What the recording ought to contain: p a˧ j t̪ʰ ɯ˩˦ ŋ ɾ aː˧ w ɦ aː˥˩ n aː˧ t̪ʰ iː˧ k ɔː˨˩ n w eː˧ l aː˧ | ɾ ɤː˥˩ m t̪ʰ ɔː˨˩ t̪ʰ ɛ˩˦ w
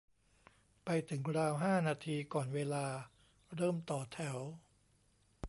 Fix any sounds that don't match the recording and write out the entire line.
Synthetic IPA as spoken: p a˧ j t̪ʰ ɯ˩˦ ŋ ɾ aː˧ w ɦ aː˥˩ n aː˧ t̪ʰ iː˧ k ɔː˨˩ n w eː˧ l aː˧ | ɾ ɤː˥˩ m t̪ ɔː˨˩ t̪ʰ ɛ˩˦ w